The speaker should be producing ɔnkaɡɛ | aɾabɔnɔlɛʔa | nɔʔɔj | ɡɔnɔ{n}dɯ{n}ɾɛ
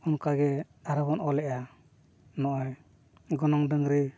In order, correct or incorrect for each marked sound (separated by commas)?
incorrect, incorrect